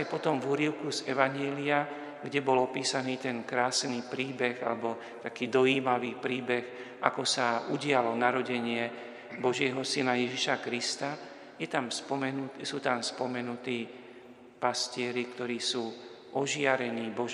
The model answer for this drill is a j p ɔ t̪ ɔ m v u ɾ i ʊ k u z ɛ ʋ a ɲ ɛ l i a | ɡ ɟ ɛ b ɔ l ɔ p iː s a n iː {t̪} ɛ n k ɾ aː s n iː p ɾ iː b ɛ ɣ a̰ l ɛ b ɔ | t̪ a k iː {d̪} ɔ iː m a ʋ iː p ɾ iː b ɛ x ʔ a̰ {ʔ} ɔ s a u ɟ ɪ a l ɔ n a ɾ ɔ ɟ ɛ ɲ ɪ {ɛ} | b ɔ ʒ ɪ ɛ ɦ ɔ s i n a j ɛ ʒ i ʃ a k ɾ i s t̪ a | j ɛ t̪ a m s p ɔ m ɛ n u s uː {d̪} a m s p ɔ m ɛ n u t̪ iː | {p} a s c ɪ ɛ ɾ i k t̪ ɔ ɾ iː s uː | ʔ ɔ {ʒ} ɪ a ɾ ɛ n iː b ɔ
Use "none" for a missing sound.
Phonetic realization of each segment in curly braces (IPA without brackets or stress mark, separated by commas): t̪, d̪, k, ɛ, t̪, p, ʒ